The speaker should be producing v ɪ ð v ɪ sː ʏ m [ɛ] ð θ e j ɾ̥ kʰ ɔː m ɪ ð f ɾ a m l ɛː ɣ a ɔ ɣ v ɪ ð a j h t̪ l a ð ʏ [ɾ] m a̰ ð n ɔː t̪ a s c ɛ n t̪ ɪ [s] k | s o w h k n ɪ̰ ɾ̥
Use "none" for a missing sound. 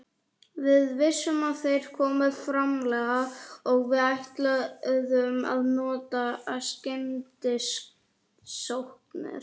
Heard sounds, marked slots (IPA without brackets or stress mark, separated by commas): a, none, s